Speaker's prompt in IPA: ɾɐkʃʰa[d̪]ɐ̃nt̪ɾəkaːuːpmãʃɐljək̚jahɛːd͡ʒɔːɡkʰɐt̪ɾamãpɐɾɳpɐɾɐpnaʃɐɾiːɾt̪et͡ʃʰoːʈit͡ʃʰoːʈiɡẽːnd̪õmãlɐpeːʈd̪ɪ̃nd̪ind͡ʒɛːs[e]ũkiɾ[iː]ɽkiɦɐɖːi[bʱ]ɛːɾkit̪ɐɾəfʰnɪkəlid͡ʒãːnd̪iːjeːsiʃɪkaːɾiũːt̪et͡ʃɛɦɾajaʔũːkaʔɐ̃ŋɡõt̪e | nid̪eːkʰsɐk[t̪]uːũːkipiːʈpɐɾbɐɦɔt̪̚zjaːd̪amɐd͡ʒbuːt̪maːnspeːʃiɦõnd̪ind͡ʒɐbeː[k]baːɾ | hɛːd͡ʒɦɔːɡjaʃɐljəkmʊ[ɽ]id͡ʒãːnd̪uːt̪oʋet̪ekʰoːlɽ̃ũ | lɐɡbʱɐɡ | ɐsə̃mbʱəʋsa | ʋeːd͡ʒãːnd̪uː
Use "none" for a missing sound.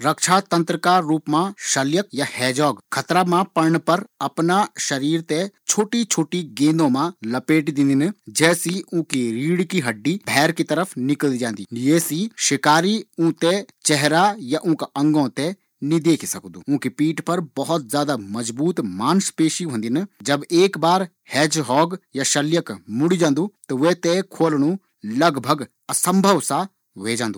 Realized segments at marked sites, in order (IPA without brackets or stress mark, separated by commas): t̪, i, iː, bʱ, d̪, k, ɽ